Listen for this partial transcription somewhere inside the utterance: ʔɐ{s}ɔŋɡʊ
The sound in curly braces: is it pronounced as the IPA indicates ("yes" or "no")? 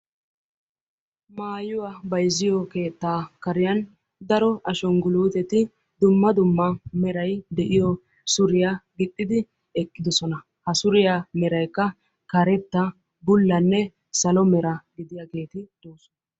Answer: no